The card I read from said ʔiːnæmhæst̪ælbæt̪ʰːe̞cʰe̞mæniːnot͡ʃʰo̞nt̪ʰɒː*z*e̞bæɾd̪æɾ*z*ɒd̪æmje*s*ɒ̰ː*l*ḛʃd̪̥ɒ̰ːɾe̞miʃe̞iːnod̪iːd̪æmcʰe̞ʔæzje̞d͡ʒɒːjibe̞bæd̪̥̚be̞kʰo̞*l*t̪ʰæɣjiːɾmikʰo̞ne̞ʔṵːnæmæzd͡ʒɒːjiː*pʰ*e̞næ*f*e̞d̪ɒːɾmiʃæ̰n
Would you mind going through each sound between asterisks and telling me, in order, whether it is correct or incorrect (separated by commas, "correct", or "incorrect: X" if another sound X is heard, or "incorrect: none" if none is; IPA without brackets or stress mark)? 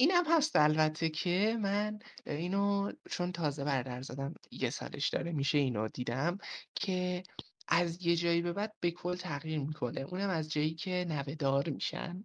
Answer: correct, correct, correct, correct, correct, incorrect: cʰ, incorrect: v